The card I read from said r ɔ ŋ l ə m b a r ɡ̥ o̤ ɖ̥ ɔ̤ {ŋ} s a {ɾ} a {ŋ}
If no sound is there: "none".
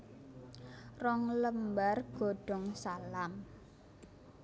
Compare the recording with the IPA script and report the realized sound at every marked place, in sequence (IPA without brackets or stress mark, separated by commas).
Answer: ŋ, l, m